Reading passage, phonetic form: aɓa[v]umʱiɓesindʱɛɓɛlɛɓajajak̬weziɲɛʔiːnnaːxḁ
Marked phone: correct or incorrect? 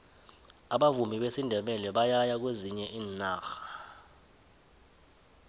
correct